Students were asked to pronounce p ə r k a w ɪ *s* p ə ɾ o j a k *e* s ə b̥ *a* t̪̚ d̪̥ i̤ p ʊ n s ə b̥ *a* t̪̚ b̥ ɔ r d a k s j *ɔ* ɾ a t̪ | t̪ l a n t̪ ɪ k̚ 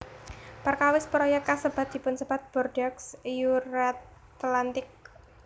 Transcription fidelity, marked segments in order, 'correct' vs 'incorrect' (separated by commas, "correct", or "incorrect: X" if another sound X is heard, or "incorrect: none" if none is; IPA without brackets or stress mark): correct, incorrect: a, correct, correct, incorrect: u